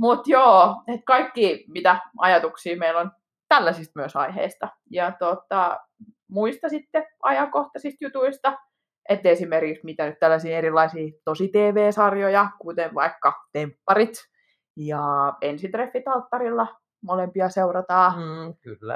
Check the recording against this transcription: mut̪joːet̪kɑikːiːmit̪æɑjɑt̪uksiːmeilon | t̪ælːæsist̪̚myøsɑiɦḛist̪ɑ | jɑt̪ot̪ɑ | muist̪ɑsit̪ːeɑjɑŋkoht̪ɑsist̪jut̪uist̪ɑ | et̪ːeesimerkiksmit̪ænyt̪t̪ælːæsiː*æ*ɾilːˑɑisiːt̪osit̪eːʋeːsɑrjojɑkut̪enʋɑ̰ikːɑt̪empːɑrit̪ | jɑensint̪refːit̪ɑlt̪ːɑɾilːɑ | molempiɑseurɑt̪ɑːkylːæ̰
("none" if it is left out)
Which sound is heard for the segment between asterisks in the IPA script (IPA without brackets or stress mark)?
e